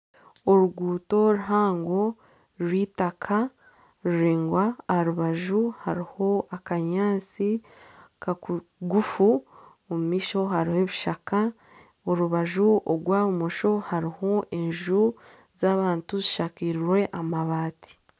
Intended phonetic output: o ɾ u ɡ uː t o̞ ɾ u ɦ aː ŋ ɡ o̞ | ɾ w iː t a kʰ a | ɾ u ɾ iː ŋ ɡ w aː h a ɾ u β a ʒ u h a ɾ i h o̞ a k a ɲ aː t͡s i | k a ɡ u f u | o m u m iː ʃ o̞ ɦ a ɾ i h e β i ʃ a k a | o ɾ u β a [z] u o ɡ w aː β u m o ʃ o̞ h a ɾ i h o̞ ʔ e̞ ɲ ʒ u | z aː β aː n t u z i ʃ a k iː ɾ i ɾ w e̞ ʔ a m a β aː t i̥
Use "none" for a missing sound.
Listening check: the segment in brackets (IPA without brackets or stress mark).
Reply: ʒ